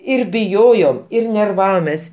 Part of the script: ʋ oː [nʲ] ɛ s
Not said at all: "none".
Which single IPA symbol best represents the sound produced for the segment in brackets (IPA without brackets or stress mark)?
mʲ